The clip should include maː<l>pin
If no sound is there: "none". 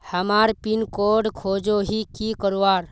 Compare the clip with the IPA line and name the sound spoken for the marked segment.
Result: ɾ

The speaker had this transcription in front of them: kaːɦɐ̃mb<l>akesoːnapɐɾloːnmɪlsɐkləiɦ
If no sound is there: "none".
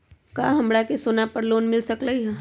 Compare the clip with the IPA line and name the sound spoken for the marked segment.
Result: ɽ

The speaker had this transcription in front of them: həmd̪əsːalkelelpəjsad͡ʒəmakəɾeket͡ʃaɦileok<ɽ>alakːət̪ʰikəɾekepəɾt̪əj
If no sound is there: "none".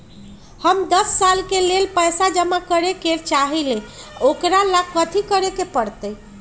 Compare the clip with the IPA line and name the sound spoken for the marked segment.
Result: ɾ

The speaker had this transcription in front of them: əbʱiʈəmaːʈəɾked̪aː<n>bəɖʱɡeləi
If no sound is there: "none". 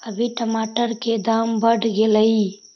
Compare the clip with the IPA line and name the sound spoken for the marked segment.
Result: m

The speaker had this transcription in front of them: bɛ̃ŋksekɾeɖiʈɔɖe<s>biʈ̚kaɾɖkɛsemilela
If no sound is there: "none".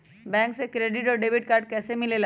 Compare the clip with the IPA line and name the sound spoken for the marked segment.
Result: none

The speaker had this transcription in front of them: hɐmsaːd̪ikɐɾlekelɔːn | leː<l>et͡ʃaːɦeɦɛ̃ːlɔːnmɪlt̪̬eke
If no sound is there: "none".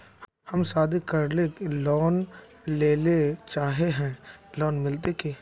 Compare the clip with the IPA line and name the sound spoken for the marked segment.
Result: l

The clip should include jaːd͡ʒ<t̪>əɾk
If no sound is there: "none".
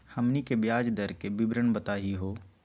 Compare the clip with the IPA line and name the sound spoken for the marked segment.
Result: d̪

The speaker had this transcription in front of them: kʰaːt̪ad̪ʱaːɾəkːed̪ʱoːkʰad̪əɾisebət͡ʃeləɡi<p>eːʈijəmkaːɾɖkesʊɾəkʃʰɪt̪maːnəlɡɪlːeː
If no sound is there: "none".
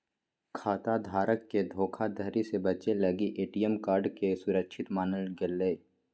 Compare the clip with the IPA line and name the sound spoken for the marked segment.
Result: ʔ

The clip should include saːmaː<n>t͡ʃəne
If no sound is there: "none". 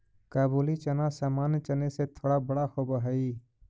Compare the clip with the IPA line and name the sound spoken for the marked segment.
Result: n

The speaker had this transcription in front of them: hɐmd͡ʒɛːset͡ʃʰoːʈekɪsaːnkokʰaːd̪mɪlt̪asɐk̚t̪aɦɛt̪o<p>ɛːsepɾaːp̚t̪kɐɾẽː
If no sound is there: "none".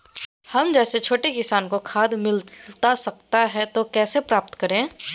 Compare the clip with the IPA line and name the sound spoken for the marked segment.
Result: k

